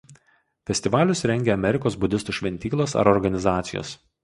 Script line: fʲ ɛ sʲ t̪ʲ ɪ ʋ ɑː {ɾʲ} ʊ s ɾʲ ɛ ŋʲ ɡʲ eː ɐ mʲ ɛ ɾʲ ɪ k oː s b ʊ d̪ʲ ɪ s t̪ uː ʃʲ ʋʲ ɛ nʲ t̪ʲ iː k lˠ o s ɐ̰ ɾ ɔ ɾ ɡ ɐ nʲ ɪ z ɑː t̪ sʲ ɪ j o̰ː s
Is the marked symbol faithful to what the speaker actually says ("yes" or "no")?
no